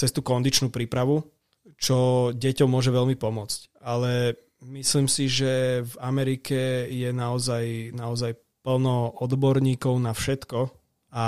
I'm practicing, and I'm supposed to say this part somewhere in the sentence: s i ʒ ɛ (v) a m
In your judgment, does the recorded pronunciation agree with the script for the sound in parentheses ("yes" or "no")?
yes